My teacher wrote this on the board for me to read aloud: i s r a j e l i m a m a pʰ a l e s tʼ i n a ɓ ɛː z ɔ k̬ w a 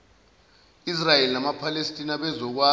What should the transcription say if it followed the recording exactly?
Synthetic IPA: i s r a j e l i n a m a pʰ a l e s tʼ i n a ɓ ɛ z ɔ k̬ w a